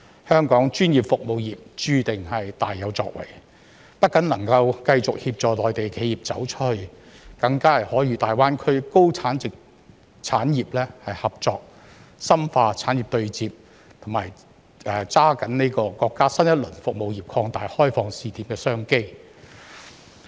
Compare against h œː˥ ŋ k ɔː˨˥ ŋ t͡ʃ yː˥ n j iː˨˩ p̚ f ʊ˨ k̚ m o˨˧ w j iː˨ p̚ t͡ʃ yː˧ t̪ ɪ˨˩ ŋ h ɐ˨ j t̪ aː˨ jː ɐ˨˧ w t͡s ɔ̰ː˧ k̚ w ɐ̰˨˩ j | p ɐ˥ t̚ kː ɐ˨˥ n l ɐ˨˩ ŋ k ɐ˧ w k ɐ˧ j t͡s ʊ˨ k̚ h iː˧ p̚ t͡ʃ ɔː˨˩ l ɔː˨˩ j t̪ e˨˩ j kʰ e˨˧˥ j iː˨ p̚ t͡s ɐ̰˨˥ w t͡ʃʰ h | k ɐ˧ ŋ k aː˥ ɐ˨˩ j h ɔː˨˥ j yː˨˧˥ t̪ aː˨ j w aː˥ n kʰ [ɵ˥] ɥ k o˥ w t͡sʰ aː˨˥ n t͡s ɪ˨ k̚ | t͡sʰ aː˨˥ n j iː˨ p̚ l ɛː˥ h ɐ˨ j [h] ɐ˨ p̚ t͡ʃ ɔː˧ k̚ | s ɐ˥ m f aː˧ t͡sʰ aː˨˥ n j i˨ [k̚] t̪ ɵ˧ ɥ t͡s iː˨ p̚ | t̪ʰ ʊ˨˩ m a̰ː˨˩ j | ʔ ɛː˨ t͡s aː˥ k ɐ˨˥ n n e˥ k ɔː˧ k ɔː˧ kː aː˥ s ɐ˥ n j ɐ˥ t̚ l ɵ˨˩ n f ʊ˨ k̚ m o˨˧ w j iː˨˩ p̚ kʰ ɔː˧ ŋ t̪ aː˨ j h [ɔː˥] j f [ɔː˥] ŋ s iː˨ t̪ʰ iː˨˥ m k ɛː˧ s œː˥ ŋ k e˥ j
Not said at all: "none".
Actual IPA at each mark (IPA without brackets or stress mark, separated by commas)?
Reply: ɵ˥, h, p̚, ɔː˥, ɔː˧